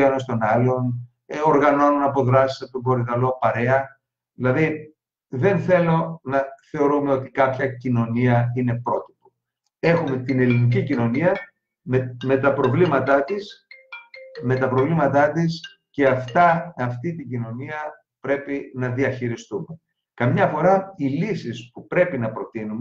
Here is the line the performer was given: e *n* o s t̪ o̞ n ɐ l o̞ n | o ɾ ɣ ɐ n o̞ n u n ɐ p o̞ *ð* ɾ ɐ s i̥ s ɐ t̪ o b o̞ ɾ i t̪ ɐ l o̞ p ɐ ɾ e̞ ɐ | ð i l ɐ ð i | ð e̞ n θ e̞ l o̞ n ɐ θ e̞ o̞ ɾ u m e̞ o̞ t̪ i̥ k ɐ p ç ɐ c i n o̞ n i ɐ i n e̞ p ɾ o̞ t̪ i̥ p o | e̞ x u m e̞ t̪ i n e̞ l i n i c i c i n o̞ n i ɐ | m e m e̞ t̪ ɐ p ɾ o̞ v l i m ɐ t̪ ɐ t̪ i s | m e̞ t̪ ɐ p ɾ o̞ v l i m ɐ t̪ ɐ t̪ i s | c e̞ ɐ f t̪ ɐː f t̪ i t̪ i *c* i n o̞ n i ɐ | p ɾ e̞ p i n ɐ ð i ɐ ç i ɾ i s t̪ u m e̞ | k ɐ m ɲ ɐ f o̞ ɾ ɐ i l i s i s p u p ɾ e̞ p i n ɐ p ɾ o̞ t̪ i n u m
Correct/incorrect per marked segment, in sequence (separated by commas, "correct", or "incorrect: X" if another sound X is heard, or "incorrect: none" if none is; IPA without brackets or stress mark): correct, correct, incorrect: ɟ